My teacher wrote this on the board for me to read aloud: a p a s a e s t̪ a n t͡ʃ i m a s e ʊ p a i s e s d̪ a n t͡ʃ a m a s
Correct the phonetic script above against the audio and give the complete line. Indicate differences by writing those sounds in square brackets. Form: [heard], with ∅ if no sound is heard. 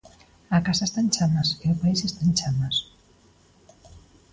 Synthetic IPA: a [k] a s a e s t̪ a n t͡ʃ [a] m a s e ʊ p a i s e s [t̪] a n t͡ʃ a m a s

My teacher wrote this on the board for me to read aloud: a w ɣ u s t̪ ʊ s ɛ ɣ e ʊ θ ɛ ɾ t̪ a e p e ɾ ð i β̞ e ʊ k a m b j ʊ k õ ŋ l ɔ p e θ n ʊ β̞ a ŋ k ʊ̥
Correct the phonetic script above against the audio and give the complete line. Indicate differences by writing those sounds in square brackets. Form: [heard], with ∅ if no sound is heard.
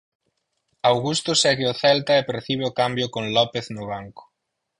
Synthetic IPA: a w ɣ u s t̪ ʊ s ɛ ɣ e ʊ θ ɛ [l] t̪ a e p e ɾ [θ] i β̞ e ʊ k a m b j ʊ k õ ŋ l ɔ p e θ n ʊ β̞ a ŋ k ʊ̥

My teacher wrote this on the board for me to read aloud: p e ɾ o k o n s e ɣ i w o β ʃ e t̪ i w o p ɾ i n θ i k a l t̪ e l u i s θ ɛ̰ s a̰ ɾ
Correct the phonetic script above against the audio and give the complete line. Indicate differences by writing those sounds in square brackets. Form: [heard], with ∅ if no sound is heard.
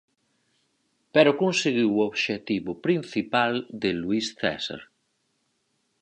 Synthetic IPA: p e ɾ o k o n s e ɣ i w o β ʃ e t̪ i [β] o p ɾ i n θ i [p] a l [d̪] e l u i s θ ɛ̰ s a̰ ɾ

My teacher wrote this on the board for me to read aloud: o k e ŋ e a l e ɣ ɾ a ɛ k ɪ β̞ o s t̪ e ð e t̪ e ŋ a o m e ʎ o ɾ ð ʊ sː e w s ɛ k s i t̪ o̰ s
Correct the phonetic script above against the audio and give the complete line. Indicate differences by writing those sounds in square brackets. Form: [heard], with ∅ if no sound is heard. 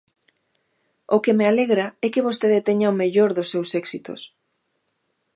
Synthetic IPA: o k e [m] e a l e ɣ ɾ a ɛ k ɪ β̞ o s t̪ e ð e t̪ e [ɲ] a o m e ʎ o ɾ ð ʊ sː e w s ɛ k s i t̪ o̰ s

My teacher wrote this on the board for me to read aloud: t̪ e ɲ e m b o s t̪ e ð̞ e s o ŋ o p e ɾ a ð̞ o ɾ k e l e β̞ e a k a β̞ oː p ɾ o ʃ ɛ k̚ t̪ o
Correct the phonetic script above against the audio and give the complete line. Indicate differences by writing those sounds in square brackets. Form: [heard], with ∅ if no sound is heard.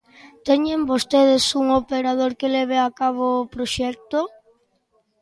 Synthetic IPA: t̪ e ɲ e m b o s t̪ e ð̞ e s [u] ŋ o p e ɾ a ð̞ o ɾ k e l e β̞ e a k a β̞ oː p ɾ o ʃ ɛ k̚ t̪ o

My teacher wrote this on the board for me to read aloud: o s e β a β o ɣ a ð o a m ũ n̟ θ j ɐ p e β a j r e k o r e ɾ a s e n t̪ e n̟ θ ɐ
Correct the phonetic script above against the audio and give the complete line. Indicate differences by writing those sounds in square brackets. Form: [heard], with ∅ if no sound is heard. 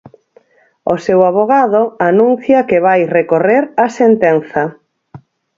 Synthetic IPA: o s e [w] a β o ɣ a ð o a [n] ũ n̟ θ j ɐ [k] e β a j r e k o r e ɾ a s e n t̪ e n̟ θ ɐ

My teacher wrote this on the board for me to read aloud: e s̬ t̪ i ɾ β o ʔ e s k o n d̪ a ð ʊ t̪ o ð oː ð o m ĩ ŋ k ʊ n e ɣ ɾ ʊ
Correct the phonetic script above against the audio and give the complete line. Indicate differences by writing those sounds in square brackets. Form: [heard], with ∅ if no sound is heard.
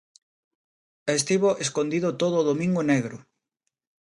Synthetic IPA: e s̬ t̪ i [∅] β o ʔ e s k o n d̪ [i] ð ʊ t̪ o ð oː ð o m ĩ ŋ [ɡ] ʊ n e ɣ ɾ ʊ

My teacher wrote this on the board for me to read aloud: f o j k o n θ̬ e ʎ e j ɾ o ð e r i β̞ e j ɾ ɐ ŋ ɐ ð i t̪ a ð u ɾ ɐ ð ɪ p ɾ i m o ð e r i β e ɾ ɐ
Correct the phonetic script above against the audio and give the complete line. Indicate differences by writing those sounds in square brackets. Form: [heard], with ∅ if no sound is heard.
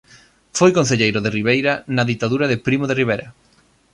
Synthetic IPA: f o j k o n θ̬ e ʎ e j ɾ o ð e r i β̞ e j ɾ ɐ [n] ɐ ð i t̪ a ð u ɾ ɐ ð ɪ p ɾ i m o ð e r i β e ɾ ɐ

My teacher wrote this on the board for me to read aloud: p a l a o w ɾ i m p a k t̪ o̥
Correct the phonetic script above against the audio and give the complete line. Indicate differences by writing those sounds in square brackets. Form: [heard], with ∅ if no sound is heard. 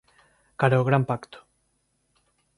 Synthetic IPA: [k] a [ɾ] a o [ɣ] ɾ [a] m p a k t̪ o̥

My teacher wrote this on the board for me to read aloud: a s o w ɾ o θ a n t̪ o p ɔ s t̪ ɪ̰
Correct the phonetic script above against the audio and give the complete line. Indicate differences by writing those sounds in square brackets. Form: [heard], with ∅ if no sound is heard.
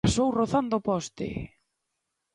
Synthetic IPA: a s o w [r] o θ a n [d̪] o p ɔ s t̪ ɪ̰

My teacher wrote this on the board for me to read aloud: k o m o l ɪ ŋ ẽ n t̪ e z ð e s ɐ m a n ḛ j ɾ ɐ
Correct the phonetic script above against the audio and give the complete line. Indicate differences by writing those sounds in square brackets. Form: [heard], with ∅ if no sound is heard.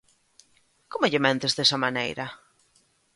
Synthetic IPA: k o m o [ʎ] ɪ [m] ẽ n t̪ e z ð e s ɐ m a n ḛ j ɾ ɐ

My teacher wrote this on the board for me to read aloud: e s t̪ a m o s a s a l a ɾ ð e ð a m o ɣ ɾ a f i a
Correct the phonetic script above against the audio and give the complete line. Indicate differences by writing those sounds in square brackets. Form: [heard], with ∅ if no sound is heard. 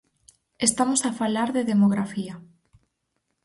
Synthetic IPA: e s t̪ a m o s a [f] a l a ɾ ð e ð [e] m o ɣ ɾ a f i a

